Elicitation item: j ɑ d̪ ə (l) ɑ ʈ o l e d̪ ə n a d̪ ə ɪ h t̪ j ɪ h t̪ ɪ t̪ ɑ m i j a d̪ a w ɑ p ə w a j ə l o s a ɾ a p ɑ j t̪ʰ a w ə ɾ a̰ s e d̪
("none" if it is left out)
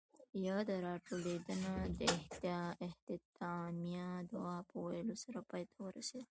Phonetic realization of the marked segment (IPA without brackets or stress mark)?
ɾ